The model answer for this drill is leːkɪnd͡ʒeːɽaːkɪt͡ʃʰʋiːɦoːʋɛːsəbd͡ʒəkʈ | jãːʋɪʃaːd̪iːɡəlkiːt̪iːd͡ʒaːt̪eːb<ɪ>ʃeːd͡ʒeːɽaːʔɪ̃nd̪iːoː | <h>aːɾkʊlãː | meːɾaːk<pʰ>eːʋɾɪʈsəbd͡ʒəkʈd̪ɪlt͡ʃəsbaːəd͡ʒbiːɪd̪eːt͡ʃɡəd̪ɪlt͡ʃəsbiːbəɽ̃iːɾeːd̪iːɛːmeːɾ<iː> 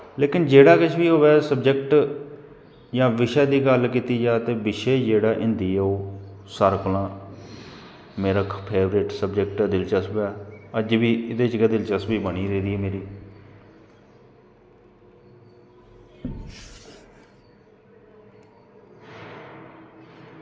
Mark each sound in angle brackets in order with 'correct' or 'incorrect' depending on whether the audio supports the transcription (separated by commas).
correct, incorrect, correct, correct